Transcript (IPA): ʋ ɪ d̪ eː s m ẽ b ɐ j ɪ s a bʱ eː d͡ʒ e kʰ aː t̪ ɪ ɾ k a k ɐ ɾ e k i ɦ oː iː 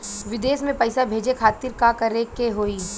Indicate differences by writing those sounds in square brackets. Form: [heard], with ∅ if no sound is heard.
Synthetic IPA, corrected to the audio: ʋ ɪ d̪ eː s m ẽ [p] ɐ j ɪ s a bʱ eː d͡ʒ e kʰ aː t̪ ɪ ɾ k a k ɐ ɾ e k [e] ɦ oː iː